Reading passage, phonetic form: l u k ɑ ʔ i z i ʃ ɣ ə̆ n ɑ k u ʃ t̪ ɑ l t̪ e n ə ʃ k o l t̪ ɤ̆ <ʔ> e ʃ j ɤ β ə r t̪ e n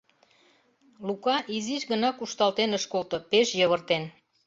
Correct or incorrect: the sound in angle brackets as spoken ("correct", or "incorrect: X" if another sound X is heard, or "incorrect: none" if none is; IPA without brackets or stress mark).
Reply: incorrect: p